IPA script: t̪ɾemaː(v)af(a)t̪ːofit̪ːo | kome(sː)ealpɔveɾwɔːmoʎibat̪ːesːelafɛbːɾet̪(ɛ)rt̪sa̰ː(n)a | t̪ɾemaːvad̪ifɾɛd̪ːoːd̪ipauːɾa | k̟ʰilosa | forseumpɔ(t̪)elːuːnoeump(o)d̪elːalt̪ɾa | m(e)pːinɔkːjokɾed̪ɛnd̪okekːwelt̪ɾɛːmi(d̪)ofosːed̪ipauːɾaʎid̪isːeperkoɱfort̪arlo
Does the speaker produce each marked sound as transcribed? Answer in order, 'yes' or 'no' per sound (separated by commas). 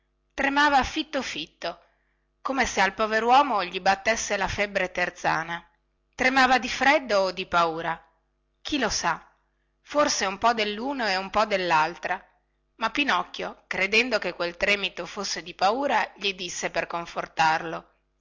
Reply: yes, no, no, no, yes, no, no, no, no